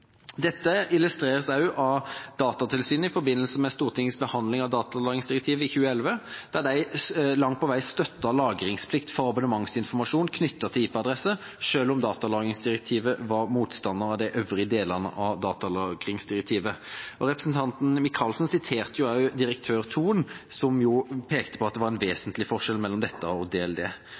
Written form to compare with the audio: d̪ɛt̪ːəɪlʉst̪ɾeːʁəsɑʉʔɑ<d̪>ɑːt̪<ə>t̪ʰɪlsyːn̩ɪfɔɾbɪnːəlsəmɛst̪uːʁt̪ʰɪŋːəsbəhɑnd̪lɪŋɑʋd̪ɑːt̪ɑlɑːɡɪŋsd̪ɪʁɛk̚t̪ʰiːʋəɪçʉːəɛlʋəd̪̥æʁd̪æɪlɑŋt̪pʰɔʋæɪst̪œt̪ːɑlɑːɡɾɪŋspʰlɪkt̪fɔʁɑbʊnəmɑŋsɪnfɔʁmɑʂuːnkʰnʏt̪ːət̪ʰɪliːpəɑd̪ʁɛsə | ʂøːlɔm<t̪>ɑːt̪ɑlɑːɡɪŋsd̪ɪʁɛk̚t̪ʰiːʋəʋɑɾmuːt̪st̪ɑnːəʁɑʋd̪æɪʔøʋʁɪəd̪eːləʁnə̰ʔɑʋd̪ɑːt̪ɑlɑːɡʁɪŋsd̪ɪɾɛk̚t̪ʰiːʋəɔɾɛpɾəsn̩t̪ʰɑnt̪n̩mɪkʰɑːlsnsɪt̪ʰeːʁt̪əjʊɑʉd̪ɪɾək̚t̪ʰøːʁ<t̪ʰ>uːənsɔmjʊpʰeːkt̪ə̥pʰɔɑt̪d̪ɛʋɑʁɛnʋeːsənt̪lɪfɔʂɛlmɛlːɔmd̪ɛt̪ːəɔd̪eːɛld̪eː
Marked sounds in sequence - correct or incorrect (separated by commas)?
correct, incorrect, incorrect, correct